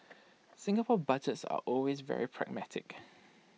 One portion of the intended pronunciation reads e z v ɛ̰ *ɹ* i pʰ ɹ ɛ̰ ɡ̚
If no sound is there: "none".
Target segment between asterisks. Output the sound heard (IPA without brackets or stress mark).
ɹ